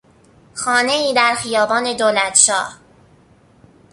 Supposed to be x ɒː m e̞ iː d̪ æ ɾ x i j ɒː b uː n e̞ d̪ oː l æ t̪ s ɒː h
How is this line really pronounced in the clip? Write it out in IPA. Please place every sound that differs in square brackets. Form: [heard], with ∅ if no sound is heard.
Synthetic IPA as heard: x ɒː [n] e̞ iː d̪ æ ɾ x i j ɒː b [ɒː] n e̞ d̪ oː l æ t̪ [ʃ] ɒː h